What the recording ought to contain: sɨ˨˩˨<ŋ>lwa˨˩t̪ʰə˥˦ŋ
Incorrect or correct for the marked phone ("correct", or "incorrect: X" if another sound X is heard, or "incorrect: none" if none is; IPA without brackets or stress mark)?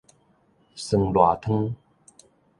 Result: correct